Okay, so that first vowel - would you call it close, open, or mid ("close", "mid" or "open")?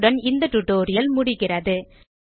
open